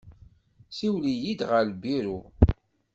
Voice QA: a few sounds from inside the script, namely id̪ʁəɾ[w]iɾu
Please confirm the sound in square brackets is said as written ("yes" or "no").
no